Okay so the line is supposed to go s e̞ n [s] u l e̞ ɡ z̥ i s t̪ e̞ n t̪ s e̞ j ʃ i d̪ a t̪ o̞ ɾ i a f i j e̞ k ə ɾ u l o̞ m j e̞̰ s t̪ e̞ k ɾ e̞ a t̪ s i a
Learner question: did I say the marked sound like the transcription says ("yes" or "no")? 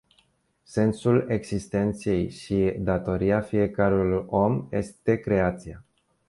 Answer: yes